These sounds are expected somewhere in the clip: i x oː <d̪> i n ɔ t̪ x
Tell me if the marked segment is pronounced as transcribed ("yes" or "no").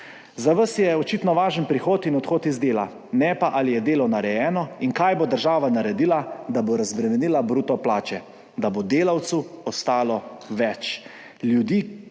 no